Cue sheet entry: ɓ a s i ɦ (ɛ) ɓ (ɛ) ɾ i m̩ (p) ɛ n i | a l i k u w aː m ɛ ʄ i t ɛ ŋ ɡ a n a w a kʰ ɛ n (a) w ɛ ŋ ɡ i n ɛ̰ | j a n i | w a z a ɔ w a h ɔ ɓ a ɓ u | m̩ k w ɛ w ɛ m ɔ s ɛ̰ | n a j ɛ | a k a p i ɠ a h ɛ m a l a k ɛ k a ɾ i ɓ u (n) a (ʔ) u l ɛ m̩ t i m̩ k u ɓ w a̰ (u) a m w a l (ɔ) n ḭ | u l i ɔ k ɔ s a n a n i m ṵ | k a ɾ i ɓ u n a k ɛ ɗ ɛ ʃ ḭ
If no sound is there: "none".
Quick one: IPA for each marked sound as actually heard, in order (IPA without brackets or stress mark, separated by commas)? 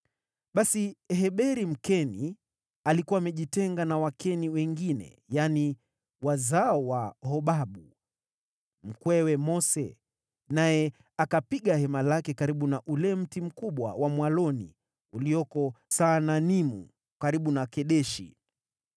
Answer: ɛ, ɛ, k, i, n, ʔ, w, ɔ